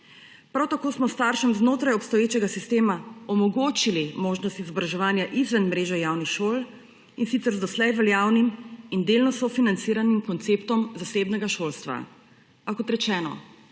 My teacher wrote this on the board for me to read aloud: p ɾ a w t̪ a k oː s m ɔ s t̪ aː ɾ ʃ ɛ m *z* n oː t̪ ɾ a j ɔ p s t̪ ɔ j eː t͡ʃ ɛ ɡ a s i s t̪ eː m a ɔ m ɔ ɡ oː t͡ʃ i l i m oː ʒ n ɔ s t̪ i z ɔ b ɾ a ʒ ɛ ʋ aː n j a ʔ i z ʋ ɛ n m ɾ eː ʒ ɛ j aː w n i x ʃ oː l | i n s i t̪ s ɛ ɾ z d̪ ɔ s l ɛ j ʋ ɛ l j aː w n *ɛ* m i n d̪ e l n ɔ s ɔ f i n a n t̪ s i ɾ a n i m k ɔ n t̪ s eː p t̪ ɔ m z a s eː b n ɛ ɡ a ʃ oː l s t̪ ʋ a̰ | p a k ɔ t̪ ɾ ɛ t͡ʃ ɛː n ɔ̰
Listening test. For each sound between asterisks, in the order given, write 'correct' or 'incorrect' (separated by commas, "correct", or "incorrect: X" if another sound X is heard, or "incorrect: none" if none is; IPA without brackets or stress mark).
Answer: correct, incorrect: i